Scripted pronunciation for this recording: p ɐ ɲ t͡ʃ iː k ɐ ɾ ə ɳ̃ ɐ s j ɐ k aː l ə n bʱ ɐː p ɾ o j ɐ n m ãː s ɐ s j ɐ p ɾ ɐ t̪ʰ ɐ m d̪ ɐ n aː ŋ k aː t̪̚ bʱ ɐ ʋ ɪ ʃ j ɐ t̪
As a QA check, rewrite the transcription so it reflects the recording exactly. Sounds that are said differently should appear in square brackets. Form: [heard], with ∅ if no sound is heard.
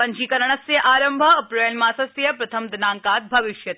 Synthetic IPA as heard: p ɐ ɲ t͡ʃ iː k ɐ ɾ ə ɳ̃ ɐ s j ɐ [ʔ] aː [ɾ] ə [m] bʱ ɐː p ɾ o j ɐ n m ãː s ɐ s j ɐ p ɾ ɐ t̪ʰ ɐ m d̪ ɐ n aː ŋ k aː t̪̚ bʱ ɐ ʋ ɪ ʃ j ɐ t̪